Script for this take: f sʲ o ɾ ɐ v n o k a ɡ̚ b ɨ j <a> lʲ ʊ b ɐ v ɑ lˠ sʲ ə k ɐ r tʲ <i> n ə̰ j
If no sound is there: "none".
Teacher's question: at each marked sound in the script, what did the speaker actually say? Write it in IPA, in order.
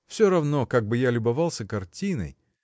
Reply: a, i

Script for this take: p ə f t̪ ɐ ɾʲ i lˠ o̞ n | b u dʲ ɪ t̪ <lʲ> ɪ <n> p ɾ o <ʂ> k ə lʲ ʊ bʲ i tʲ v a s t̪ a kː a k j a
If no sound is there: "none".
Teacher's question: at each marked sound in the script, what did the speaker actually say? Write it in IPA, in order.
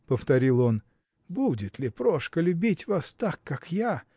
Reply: lʲ, none, ʂ

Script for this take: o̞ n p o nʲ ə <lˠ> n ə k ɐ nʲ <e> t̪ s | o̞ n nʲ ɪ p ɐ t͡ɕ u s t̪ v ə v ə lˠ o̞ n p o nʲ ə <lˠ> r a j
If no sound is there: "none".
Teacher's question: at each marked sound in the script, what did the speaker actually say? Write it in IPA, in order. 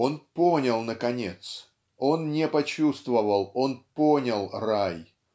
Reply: lˠ, e, lˠ

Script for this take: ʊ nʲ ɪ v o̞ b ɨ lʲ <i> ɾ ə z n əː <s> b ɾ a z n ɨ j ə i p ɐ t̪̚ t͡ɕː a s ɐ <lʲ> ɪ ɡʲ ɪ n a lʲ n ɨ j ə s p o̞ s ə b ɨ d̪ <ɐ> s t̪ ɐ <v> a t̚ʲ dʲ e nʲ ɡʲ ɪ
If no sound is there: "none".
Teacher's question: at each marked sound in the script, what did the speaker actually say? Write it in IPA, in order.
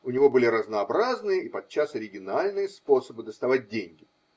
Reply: ɪ, none, ɾʲ, ə, v

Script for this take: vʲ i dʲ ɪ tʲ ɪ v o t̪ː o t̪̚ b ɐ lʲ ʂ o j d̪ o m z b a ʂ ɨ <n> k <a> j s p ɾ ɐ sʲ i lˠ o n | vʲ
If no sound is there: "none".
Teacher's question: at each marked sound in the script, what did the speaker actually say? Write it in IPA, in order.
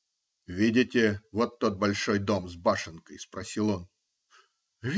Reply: n, ə

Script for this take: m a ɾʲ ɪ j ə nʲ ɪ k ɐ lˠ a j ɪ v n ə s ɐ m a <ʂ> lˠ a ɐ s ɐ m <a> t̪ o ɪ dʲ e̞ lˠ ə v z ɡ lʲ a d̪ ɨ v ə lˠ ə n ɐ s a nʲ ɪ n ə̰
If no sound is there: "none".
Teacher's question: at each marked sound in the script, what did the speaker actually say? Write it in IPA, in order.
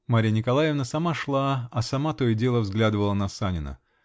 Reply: ʂ, a

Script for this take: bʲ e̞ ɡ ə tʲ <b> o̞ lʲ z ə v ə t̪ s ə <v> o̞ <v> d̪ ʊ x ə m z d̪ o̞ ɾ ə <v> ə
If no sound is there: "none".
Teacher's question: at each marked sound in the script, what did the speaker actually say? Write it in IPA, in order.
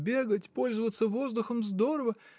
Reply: p, v, z, v

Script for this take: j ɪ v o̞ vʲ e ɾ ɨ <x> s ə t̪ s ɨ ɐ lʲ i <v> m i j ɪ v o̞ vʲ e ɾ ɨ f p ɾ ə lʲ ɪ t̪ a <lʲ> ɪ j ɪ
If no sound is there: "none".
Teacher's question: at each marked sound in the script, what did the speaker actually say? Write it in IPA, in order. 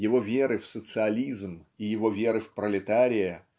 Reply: f, z, ɾʲ

